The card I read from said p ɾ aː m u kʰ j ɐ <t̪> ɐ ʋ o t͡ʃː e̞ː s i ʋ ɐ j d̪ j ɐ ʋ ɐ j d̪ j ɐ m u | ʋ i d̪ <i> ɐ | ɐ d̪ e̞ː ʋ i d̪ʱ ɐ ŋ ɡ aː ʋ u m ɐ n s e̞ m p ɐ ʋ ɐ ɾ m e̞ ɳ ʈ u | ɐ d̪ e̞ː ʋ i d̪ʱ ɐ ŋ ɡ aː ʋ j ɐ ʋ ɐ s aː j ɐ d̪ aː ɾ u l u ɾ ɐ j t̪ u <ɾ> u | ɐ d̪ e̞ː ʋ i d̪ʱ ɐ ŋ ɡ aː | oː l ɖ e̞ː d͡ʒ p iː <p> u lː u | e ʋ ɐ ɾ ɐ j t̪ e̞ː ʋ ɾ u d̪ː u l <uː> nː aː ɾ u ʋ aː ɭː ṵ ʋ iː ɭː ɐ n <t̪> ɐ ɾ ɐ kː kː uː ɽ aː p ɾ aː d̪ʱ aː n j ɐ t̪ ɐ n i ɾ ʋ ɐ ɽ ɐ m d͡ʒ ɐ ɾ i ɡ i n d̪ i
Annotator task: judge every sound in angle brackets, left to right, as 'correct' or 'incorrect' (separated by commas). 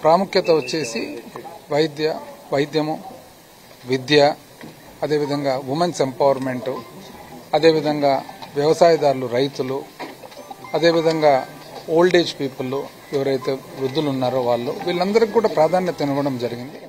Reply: correct, incorrect, incorrect, correct, incorrect, incorrect